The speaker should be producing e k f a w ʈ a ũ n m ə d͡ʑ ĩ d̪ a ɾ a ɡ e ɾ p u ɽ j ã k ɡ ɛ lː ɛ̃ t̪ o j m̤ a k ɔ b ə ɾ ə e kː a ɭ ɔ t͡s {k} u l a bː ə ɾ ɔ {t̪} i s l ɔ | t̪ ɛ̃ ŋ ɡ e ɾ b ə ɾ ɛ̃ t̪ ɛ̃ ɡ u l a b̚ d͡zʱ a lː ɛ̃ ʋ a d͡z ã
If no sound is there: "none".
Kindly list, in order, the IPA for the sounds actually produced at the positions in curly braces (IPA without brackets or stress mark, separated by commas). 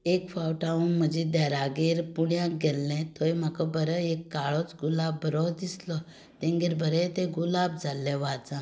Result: ɡ, d̪